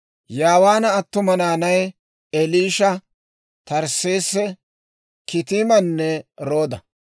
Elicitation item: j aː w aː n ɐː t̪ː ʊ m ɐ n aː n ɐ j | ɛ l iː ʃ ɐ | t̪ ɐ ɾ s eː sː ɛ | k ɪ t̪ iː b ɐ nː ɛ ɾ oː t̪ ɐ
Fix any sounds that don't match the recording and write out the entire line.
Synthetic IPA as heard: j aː w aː n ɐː t̪ː ʊ m ɐ n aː n ɐ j | ɛ l iː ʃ ɐ | t̪ ɐ ɾ s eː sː ɛ | k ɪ t̪ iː m ɐ nː ɛ ɾ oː d̪ ɐ